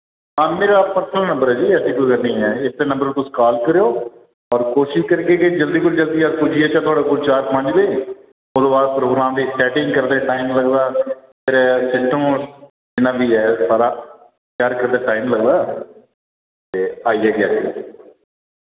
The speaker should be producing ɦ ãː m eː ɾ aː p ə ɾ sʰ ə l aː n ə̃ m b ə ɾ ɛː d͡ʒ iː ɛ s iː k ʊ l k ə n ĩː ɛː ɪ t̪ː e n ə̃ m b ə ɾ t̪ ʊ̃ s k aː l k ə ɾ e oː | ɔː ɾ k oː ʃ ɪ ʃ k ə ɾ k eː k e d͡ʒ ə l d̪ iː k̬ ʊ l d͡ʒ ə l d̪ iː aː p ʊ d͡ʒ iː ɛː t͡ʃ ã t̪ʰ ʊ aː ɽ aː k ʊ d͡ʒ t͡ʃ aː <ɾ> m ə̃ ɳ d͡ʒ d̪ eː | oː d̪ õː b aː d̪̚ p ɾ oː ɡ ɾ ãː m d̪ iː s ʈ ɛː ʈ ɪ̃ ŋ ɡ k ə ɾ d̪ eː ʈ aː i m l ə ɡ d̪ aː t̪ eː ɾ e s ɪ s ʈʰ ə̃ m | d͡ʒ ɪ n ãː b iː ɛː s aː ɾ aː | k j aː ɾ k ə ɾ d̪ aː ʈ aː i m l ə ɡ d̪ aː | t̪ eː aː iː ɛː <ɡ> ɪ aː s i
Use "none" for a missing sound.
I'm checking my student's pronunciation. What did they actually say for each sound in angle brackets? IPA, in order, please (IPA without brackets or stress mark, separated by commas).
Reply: ɾ, ɡ